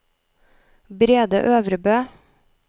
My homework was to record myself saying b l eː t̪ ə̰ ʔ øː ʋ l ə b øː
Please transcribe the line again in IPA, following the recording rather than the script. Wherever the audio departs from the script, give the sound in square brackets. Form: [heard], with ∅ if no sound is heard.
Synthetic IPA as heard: b [ɾ] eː [d̪] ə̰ ʔ øː ʋ [ɾ] ə b øː